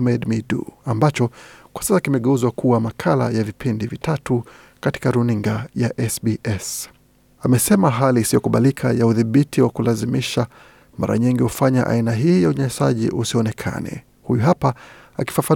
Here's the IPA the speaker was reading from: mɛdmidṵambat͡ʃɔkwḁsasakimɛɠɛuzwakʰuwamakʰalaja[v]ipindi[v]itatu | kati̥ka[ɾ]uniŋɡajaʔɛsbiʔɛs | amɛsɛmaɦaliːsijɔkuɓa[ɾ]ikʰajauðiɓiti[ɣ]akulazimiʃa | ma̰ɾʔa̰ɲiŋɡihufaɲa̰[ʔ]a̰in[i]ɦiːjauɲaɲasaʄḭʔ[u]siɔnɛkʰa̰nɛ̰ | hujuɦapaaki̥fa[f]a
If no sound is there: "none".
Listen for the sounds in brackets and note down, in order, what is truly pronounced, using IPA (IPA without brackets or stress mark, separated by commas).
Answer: v, v, ɾ, l, w, ʔ, a, u, f